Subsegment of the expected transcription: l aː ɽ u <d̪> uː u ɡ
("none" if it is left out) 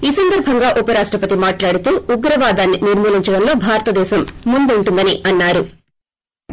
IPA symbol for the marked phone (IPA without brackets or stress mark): t̪